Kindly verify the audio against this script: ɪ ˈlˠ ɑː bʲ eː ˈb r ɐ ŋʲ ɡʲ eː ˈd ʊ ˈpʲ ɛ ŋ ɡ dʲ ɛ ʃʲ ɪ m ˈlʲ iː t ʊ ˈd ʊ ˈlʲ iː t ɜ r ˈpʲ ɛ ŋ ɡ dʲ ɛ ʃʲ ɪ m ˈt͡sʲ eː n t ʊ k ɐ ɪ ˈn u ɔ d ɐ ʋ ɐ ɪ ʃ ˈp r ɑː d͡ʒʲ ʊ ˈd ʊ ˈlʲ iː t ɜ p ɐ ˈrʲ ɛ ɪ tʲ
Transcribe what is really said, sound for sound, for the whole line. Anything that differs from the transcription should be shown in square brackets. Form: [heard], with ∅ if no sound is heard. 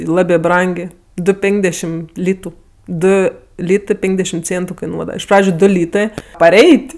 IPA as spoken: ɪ ˈlˠ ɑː bʲ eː ˈb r ɐ ŋʲ ɡʲ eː ˈd ʊ ˈpʲ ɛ ŋ ɡ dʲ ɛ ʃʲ ɪ m ˈlʲ iː t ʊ ˈd ʊ ˈlʲ iː t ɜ [∅] ˈpʲ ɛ ŋ ɡ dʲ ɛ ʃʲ ɪ m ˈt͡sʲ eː n t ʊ k ɐ ɪ ˈn u ɔ d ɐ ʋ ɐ ɪ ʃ ˈp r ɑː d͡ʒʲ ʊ ˈd ʊ ˈlʲ iː t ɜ p ɐ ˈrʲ ɛ ɪ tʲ